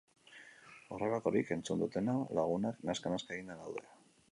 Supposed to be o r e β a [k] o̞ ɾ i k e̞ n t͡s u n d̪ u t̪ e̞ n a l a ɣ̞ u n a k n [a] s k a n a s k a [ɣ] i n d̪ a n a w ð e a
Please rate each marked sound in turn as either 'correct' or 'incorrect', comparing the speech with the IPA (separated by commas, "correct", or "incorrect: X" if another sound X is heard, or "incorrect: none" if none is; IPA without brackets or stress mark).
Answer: correct, correct, correct